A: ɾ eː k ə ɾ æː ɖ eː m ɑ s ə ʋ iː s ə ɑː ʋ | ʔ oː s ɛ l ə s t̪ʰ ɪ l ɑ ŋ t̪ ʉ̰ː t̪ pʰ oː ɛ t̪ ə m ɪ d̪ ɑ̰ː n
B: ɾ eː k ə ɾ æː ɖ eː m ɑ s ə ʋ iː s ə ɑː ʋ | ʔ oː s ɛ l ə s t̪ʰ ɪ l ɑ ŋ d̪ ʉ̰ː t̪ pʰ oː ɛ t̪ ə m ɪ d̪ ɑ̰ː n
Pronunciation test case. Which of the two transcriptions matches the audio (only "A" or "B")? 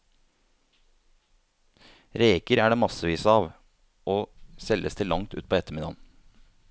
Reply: A